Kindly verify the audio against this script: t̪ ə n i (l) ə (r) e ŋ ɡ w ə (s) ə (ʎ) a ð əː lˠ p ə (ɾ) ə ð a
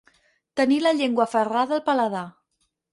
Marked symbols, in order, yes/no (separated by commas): yes, no, no, no, no